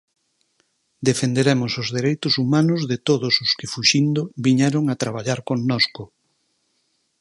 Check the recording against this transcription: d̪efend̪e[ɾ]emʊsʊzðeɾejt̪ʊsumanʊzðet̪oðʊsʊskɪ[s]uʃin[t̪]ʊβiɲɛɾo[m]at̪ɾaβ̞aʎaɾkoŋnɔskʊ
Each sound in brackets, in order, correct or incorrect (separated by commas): correct, incorrect, incorrect, incorrect